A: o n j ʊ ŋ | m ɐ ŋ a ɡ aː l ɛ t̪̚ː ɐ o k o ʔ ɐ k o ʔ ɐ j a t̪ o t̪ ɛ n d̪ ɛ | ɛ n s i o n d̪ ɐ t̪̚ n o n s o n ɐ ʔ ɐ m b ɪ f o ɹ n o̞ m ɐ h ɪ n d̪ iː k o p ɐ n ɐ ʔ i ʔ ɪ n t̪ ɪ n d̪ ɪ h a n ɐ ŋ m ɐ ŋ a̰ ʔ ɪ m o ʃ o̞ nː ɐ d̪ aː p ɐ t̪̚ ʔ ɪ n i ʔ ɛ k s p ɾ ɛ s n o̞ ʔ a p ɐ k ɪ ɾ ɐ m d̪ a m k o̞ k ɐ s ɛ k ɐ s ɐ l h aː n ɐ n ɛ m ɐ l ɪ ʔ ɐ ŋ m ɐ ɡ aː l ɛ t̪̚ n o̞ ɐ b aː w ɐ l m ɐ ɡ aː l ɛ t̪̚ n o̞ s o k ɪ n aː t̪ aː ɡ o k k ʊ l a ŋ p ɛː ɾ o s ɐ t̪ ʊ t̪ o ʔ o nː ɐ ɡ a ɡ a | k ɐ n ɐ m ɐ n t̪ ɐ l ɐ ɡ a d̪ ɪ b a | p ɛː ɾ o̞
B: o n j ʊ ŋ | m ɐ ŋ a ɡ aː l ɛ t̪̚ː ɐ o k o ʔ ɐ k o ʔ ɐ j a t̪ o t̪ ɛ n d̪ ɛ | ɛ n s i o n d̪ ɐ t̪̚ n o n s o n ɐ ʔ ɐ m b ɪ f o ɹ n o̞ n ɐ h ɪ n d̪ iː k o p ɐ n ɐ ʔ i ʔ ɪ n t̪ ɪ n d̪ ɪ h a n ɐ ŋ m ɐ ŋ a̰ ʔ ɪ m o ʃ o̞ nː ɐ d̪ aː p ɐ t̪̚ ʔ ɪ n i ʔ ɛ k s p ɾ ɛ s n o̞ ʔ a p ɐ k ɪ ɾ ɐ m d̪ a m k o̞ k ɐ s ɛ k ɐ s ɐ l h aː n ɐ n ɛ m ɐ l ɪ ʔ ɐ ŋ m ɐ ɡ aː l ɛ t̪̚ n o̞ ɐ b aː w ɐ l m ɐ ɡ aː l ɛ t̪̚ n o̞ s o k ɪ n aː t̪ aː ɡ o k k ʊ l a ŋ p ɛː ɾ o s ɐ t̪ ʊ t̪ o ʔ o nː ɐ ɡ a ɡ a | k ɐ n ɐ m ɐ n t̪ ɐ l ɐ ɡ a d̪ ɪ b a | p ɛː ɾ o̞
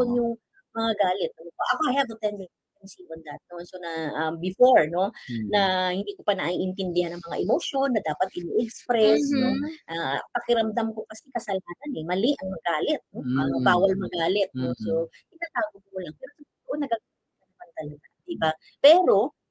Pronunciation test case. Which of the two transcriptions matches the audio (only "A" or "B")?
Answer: B